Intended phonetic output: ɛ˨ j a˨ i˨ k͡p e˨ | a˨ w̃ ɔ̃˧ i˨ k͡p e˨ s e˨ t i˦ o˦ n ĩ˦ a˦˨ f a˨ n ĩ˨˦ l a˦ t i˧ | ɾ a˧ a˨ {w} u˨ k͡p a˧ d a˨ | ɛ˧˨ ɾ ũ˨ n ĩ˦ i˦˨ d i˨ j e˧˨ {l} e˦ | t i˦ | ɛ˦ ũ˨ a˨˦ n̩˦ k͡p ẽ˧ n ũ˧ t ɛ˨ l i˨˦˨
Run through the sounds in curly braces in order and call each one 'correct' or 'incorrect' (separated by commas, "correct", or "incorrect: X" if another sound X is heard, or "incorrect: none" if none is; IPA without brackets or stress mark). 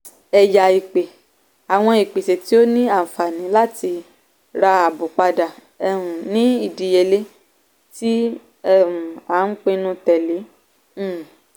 incorrect: b, correct